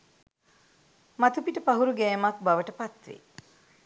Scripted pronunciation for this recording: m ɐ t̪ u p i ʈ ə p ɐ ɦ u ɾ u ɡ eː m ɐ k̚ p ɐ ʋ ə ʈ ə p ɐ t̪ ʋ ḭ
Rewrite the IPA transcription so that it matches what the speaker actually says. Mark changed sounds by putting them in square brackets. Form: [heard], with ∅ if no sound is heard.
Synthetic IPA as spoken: m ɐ t̪ u p i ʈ ə p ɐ ɦ u ɾ u ɡ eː m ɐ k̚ [b] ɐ ʋ ə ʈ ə p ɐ t̪ ʋ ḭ